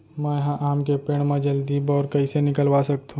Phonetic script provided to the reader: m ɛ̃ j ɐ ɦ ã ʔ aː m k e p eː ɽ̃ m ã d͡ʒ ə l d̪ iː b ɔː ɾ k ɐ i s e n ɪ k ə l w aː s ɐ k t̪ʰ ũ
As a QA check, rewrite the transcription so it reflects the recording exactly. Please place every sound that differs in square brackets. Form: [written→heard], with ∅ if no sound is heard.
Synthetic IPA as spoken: m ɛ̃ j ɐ ɦ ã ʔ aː m k e p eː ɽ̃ m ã d͡ʒ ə l d̪ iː b ɔː ɾ k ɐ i s e n ɪ k ə l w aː s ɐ k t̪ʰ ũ